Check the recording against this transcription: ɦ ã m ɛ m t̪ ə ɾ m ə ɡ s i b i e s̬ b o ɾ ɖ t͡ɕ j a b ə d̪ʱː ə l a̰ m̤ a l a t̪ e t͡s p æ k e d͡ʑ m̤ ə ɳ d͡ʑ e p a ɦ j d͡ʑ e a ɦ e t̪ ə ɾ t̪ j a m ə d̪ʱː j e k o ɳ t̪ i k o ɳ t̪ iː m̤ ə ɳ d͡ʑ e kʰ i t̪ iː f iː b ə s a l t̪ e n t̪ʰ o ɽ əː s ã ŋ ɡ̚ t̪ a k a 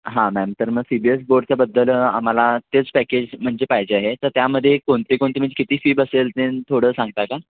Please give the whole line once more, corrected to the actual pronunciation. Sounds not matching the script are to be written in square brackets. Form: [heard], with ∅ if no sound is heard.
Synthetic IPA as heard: ɦ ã m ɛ m t̪ ə ɾ m ə ɡ s i b i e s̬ b o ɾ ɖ t͡ɕ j a b ə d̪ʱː ə l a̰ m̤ a l a t̪ e t͡s p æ k e d͡ʑ m̤ ə ɳ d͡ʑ e p a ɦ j d͡ʑ e a ɦ e t̪ ə ɾ t̪ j a m ə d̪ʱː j e k o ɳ t̪ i k o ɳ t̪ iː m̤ ə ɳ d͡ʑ e [k] i t̪ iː f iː b ə s [e] l t̪ e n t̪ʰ o ɽ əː s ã ŋ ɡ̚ t̪ a k a